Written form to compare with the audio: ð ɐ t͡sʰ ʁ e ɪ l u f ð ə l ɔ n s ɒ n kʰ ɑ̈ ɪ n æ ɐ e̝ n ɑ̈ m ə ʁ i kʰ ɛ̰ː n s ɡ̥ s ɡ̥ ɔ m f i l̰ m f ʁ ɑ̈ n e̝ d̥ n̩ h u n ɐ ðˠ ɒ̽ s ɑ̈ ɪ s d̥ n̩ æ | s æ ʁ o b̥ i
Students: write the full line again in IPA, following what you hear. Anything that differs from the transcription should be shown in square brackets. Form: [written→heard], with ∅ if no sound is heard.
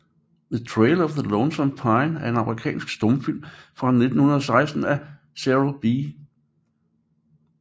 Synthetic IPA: ð [ɐ→ə] t͡sʰ ʁ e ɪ l [u→ɒ] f ð ə l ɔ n s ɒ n [kʰ→pʰ] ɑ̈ ɪ n æ ɐ e̝ n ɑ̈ m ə ʁ i kʰ ɛ̰ː n s ɡ̥ s [ɡ̥→d̥] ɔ m f i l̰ m f ʁ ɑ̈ n e̝ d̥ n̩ h u n ɐ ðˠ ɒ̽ s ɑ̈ ɪ s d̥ n̩ æ | s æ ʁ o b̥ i

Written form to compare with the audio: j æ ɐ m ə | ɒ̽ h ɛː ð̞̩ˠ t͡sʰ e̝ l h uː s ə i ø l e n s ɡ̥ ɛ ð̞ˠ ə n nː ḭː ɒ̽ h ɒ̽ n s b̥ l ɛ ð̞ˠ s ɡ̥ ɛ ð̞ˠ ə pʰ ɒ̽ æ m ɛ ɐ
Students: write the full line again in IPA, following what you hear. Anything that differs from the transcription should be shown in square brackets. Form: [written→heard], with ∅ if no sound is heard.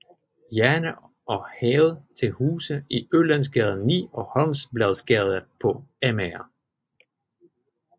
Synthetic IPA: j æ ɐ [m→n] ə | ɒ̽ h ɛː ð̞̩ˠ t͡sʰ e̝ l h uː s ə i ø l [e→æ] n s ɡ̥ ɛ ð̞ˠ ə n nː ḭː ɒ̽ h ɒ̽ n s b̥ l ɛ ð̞ˠ s ɡ̥ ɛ ð̞ˠ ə pʰ ɒ̽ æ m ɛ ɐ

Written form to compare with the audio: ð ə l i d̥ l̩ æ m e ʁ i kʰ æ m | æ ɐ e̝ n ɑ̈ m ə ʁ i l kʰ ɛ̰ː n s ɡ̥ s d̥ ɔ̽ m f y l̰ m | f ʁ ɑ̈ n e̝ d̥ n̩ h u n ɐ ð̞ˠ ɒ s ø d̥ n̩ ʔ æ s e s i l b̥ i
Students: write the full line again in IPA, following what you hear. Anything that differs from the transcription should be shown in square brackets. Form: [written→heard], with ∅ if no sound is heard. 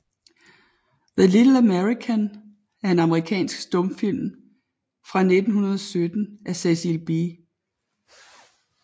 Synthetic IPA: ð ə l i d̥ l̩ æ m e ʁ i kʰ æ [m→n] | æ ɐ e̝ n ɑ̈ m ə ʁ i [l→∅] kʰ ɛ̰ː n s ɡ̥ s d̥ ɔ̽ m f [y→i] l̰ m | f ʁ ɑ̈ n e̝ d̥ n̩ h u n ɐ ð̞ˠ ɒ s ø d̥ n̩ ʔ æ s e s i l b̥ i

